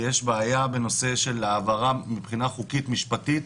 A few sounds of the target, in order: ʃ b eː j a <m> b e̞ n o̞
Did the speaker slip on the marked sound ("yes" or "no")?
yes